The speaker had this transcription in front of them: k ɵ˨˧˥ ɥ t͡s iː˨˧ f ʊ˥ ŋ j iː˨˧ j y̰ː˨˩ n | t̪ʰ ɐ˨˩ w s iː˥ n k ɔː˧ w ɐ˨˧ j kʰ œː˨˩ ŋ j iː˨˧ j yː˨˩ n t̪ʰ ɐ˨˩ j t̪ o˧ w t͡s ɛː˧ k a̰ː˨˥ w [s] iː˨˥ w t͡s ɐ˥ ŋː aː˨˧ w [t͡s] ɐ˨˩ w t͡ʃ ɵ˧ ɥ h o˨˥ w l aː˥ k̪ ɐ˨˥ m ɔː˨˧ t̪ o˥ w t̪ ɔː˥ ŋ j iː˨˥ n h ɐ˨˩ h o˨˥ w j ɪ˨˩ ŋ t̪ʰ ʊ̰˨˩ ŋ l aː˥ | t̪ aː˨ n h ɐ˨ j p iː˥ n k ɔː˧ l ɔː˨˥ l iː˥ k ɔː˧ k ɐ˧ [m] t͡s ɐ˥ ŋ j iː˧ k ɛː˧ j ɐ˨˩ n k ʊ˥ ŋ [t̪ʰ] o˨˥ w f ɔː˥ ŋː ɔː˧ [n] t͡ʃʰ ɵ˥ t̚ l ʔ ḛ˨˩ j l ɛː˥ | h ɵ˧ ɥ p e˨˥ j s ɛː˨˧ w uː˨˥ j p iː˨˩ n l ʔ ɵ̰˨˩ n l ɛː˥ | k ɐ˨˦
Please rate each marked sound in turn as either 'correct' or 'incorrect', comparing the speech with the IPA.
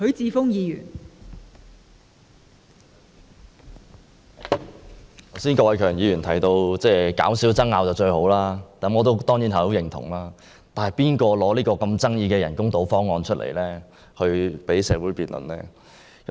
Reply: correct, correct, correct, incorrect, correct

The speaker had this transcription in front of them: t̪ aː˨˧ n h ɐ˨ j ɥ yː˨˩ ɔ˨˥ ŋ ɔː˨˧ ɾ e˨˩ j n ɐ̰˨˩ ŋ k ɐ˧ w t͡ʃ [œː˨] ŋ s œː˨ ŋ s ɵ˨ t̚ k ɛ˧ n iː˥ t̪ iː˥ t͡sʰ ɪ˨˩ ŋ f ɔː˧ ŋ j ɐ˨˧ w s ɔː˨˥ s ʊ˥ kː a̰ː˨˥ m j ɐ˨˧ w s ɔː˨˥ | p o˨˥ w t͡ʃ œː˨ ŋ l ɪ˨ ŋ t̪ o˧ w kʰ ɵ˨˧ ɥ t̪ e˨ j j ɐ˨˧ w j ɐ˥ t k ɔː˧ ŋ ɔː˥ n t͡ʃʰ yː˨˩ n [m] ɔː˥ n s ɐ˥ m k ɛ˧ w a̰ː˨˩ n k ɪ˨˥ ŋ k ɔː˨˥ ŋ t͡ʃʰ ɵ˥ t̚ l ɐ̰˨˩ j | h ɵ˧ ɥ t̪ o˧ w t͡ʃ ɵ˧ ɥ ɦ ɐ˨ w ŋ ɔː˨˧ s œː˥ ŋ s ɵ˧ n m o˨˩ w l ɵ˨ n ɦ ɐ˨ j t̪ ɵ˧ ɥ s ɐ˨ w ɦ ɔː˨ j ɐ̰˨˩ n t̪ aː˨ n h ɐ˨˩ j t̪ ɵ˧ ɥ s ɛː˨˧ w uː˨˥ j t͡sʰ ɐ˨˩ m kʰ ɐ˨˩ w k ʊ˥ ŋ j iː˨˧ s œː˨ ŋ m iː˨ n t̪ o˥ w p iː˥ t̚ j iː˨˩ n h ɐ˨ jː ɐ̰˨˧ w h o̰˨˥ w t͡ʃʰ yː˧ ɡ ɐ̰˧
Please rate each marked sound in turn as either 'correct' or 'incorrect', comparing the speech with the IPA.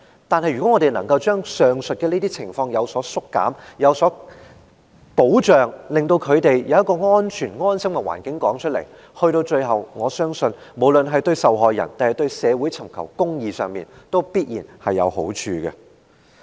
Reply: incorrect, incorrect

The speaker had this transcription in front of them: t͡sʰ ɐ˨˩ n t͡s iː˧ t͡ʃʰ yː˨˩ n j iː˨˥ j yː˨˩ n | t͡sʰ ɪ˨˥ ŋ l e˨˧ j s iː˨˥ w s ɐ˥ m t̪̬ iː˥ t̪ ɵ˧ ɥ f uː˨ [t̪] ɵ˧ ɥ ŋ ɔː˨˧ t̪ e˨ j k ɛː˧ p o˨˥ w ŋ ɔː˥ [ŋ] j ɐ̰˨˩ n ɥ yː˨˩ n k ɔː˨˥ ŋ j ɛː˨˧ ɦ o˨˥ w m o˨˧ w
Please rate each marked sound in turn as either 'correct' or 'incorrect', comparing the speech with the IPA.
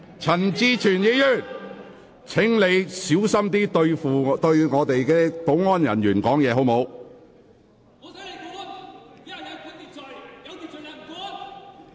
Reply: correct, incorrect

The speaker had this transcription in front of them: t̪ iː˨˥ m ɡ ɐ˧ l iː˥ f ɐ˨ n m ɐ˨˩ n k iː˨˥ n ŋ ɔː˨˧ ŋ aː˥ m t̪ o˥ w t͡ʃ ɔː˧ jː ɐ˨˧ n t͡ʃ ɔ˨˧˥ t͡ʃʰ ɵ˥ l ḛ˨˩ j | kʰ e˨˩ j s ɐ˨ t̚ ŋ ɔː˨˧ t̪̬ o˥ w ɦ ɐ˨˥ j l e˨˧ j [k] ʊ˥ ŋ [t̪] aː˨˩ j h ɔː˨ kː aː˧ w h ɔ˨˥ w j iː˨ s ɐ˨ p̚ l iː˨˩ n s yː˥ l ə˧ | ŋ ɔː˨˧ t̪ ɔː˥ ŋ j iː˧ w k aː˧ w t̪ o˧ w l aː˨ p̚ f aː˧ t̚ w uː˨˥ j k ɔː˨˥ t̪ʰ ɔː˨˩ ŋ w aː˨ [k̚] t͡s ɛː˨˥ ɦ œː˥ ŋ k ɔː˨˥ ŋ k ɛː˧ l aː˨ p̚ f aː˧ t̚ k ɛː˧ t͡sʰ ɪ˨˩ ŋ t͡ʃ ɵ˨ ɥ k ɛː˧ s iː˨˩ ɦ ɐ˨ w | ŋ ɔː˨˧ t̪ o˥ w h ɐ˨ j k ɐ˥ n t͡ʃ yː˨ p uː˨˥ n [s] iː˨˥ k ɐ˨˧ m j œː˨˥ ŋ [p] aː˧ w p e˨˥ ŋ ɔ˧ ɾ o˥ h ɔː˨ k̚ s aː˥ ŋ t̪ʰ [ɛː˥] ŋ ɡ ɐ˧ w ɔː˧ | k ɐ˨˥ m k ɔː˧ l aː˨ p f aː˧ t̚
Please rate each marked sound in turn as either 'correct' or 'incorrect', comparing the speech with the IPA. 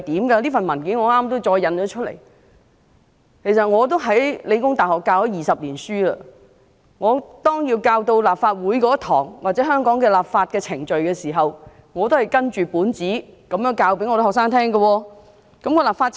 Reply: correct, correct, incorrect, incorrect, incorrect, correct

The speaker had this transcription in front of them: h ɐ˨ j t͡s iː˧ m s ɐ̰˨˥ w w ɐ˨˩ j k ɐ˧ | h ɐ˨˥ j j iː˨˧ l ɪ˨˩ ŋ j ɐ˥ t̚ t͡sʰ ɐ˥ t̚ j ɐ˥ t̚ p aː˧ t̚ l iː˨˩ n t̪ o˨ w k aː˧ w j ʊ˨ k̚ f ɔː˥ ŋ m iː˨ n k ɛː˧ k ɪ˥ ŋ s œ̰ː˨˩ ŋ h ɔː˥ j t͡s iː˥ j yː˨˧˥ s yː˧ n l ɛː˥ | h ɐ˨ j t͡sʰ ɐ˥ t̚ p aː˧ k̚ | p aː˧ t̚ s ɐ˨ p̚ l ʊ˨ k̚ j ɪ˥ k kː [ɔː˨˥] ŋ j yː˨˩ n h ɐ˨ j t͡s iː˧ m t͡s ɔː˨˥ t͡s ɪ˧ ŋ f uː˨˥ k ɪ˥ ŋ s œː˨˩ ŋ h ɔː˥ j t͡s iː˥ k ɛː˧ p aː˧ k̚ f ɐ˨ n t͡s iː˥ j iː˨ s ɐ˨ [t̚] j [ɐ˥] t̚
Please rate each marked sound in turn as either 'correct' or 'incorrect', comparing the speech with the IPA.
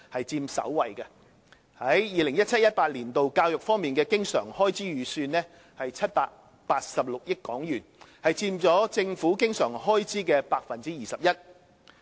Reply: correct, incorrect, correct

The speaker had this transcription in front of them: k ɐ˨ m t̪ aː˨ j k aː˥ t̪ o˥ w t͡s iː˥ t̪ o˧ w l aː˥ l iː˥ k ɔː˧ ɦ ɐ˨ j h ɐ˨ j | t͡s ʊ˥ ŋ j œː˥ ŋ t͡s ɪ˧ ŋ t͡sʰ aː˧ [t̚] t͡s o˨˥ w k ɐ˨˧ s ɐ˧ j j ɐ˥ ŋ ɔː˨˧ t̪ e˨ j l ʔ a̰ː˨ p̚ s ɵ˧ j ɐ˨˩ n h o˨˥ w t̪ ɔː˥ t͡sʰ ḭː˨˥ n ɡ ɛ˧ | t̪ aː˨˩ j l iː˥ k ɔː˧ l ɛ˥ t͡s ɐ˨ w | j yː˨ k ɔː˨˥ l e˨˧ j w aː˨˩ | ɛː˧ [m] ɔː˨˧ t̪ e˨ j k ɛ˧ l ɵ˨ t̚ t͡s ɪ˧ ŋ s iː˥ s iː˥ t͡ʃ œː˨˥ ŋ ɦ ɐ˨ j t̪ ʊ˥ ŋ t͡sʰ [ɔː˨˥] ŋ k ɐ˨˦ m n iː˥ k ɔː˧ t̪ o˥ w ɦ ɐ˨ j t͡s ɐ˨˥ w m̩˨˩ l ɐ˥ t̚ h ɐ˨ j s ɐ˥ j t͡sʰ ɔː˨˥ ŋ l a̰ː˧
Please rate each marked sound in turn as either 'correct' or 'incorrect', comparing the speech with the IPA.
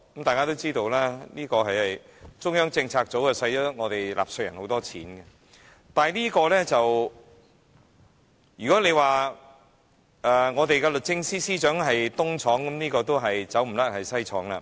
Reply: incorrect, incorrect, correct

